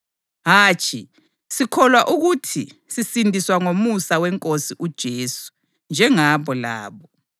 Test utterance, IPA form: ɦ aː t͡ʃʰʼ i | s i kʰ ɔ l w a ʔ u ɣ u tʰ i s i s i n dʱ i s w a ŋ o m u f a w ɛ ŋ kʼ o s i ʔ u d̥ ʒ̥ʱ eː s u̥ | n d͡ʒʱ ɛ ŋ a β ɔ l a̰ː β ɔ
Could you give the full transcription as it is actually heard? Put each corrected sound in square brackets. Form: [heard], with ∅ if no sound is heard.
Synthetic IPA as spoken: ɦ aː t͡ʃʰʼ i | s i kʰ ɔ l w a ʔ u ɣ u tʰ i s i s i n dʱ i s w a ŋ o m u [s] a w ɛ ŋ kʼ o s i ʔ u d̥ ʒ̥ʱ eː s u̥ | n d͡ʒʱ ɛ ŋ a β ɔ l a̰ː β ɔ

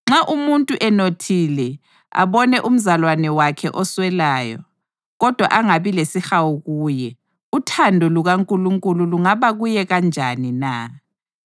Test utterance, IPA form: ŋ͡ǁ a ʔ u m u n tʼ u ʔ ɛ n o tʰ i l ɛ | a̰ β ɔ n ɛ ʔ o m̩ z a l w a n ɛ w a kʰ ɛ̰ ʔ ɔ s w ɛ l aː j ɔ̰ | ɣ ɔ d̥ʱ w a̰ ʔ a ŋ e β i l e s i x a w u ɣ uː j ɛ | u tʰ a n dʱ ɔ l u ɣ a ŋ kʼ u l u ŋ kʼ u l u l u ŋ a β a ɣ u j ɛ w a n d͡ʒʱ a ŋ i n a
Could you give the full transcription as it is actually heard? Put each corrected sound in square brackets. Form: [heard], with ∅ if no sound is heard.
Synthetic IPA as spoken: ŋ͡ǁ a ʔ u m u n tʼ u ʔ ɛ n o tʰ i l ɛ | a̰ β ɔ n ɛ ʔ [u] m̩ z a l w a n ɛ w a kʰ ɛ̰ ʔ ɔ s w ɛ l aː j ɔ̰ | ɣ ɔ d̥ʱ w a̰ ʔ a ŋ [a] β i l e s i x a w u ɣ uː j ɛ | u tʰ a n dʱ ɔ l u ɣ a ŋ kʼ u l u ŋ kʼ u l u l u ŋ a β a ɣ u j ɛ [ɣ] a n d͡ʒʱ a [n] i n a

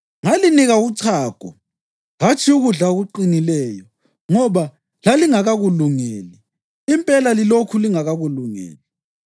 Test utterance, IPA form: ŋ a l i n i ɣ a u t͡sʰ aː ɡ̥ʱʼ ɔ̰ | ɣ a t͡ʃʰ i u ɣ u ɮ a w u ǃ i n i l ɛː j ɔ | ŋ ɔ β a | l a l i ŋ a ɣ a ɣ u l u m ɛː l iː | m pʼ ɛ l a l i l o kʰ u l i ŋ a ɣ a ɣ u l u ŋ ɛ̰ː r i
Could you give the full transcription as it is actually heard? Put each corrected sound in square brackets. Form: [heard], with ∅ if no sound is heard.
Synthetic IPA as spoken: ŋ a l i n i ɣ a u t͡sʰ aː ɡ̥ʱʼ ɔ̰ | ɣ a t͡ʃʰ i u ɣ u ɮ a [ɣ] u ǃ i n i l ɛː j ɔ | ŋ ɔ β a | l a l i ŋ a ɣ a ɣ u l u [ŋ] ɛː l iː | m pʼ ɛ l a l i l o kʰ u l i ŋ a ɣ a ɣ u l u ŋ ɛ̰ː [l] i

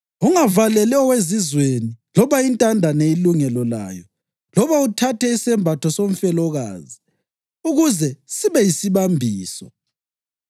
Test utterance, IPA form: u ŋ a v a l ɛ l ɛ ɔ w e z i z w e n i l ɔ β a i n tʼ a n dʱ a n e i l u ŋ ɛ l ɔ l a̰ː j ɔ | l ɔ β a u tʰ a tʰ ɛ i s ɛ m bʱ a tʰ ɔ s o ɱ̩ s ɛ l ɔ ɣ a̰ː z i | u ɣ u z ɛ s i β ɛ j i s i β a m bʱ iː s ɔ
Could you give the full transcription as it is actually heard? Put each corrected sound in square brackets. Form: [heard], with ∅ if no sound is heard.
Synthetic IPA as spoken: u ŋ a v a l ɛ l ɛ ɔ w e z i z w e n i l ɔ β a i n tʼ a n dʱ a n e i l u ŋ ɛ l ɔ l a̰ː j ɔ | l ɔ β a u tʰ a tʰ ɛ i s ɛ m bʱ a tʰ ɔ s o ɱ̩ [f] ɛ l ɔ ɣ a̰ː z i | u ɣ u z ɛ s i β ɛ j i s i β a m bʱ iː s ɔ

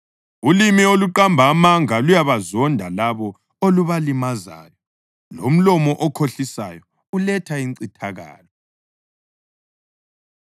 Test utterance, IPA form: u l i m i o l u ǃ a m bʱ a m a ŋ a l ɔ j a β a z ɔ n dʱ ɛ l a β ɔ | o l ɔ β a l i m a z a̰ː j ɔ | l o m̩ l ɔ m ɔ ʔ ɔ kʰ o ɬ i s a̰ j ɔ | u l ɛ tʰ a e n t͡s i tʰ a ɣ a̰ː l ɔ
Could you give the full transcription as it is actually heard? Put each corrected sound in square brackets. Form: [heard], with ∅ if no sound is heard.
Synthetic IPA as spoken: u l i m i o l u ǃ a m bʱ a m a ŋ a l [u] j a β a z ɔ n dʱ [a] l a β ɔ | o l [u] β a l i m a z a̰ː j ɔ | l o m̩ l ɔ m ɔ ʔ ɔ kʰ o ɬ i s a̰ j ɔ | u l ɛ tʰ a [i] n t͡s i tʰ a ɣ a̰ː l ɔ

